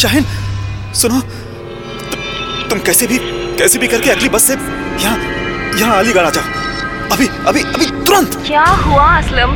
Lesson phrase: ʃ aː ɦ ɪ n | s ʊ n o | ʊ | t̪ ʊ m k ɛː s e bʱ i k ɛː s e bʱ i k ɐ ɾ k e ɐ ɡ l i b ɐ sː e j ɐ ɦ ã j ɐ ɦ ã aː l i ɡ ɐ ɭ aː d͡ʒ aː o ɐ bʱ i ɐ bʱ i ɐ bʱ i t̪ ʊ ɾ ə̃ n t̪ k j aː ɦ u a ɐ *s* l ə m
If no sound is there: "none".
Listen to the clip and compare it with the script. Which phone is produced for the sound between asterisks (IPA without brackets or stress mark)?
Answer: s